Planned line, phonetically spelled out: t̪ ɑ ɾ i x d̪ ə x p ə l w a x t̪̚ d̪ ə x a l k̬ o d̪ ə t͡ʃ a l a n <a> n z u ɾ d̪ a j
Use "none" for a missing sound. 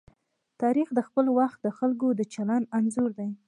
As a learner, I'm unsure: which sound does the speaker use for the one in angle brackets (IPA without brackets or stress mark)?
a